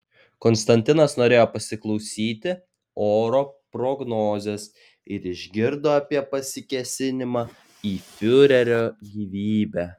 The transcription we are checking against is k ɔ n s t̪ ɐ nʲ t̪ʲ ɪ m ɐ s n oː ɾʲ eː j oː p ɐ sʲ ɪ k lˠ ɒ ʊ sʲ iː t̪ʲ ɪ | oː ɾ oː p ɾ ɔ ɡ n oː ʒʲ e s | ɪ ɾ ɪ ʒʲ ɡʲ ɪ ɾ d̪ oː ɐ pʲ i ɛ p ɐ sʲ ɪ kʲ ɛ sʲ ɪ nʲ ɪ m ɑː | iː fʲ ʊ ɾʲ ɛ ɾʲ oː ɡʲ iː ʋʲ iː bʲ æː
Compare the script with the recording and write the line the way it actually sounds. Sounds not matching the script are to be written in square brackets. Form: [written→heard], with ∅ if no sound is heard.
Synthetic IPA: k ɔ n s t̪ ɐ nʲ t̪ʲ ɪ [m→n] ɐ s n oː ɾʲ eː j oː p ɐ sʲ ɪ k lˠ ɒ ʊ sʲ iː t̪ʲ ɪ | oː ɾ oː p ɾ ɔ ɡ n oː [ʒʲ→zʲ] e s | ɪ ɾ ɪ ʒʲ ɡʲ ɪ ɾ d̪ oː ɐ pʲ i ɛ p ɐ sʲ ɪ kʲ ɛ sʲ ɪ nʲ ɪ m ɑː | iː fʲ ʊ ɾʲ ɛ ɾʲ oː ɡʲ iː ʋʲ iː bʲ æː